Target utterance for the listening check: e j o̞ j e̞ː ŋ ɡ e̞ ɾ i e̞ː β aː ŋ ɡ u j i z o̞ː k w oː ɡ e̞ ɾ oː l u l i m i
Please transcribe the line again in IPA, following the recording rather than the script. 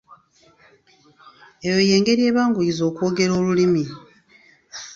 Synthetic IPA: e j o̞ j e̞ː ŋ ɡ e̞ ɾ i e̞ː β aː ŋ ɡ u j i z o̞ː k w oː ɡ e̞ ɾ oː l u l i m i